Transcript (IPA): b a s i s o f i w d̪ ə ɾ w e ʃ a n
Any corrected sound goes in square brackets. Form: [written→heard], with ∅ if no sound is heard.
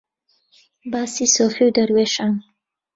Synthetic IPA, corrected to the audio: b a s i s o f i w d̪ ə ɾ w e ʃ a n